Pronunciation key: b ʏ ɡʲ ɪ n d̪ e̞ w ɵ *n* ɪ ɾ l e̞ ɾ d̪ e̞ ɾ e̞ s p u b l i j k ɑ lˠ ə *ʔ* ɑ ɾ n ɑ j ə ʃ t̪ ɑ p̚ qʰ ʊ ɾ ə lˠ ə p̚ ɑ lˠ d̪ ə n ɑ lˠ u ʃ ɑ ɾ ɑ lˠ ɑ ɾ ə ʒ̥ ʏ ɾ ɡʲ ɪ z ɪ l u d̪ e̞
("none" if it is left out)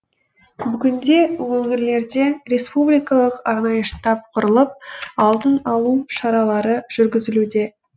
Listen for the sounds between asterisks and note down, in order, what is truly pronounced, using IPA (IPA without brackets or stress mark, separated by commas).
ŋ, q